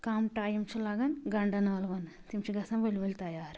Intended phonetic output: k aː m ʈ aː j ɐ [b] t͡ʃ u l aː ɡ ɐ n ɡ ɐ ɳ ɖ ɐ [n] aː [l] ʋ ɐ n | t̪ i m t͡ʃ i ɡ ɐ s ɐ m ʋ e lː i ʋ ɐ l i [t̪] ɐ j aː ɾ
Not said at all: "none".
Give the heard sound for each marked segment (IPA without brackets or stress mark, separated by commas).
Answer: m, n, l, t̪